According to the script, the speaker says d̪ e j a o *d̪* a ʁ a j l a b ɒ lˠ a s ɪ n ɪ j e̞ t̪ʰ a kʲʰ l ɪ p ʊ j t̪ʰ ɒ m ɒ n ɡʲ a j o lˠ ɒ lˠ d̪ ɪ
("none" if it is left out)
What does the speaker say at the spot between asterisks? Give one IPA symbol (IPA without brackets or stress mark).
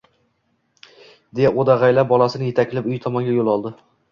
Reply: d̪